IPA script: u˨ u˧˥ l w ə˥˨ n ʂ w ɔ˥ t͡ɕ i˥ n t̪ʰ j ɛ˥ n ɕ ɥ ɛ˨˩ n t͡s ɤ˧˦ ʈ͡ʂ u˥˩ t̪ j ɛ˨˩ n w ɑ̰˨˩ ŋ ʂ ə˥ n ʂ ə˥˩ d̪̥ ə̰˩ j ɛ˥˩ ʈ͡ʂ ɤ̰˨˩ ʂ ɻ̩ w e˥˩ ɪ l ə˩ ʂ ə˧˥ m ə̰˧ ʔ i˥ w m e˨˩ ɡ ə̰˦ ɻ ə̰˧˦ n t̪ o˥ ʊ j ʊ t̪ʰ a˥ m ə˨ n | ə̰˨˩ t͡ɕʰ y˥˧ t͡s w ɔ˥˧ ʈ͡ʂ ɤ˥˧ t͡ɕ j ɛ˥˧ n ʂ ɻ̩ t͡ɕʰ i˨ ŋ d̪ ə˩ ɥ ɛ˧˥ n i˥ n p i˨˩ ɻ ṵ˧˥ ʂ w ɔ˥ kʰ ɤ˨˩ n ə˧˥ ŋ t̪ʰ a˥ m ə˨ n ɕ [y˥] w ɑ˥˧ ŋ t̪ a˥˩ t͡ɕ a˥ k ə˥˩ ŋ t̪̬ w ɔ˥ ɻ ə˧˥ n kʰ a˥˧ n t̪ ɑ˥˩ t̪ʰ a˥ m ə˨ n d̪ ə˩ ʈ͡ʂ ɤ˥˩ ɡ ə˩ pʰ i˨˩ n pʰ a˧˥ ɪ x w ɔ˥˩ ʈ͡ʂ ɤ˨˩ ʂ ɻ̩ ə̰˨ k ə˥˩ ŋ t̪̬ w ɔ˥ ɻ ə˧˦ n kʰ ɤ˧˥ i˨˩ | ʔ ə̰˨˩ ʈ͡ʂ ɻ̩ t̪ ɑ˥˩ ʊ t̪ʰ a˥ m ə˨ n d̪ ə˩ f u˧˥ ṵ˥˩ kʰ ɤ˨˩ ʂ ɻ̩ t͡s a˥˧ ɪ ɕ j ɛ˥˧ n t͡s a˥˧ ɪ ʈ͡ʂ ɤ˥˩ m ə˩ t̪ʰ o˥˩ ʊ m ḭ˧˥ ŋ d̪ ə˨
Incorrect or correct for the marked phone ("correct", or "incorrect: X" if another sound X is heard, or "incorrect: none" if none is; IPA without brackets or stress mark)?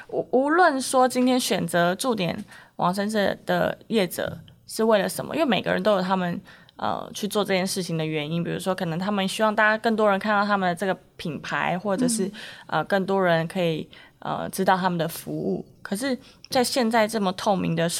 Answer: correct